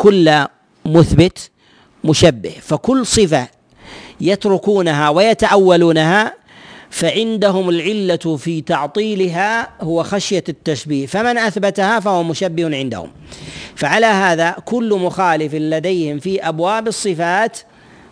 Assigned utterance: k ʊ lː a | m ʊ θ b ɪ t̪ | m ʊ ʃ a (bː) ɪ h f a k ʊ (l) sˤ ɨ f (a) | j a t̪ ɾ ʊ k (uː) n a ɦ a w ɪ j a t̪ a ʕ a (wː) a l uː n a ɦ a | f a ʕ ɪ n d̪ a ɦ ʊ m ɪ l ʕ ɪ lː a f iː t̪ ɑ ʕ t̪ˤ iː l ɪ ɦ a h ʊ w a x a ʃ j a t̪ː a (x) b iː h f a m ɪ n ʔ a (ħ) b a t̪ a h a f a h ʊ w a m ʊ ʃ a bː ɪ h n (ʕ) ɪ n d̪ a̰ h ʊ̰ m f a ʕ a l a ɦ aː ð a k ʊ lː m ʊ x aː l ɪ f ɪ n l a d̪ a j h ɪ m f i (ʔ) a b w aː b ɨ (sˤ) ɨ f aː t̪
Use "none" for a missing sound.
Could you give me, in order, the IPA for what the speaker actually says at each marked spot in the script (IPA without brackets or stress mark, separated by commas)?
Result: bː, lː, a, uː, wː, ʃ, θ, ʕ, ʔ, sˤː